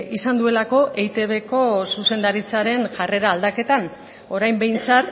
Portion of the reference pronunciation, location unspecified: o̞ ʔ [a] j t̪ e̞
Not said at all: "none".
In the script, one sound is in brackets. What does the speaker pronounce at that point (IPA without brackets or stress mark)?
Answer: e